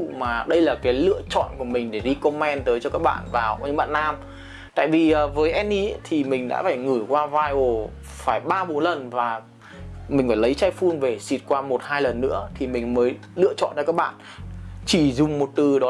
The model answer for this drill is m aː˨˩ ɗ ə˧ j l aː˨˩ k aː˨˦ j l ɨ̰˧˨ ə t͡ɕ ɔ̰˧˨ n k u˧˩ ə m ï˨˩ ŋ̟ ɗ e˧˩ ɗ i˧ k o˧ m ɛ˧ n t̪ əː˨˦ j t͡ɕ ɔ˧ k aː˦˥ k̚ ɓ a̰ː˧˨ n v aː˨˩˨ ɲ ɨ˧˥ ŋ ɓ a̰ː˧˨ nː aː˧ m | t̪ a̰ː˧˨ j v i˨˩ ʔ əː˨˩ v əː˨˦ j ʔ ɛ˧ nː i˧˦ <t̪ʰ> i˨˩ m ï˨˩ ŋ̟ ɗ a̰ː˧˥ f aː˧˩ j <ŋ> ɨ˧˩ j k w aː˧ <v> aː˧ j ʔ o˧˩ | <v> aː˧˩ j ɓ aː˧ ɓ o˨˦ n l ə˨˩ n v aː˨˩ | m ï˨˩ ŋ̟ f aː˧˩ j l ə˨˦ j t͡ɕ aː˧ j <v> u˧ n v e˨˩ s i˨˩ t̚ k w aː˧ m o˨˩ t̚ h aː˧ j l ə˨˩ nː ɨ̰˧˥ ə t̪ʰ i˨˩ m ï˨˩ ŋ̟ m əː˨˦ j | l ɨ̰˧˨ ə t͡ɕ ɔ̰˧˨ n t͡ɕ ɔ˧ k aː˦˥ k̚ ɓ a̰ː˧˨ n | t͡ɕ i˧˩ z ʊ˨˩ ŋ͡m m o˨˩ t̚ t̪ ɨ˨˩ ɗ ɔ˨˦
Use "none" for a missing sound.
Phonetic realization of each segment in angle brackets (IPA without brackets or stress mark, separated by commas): t̪ʰ, ŋ, v, f, f